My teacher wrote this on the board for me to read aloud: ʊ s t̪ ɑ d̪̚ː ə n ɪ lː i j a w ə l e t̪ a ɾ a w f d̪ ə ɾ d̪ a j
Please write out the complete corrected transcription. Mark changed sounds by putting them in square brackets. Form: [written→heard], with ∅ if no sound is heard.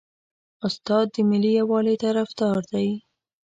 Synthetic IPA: ʊ s t̪ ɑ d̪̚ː ə [n→m] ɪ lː i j a w [ə→ɑ] l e t̪ a ɾ a [w→∅] f d̪ [ə→ɑ] ɾ d̪ a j